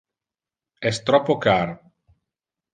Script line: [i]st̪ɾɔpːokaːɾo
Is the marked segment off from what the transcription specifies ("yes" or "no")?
yes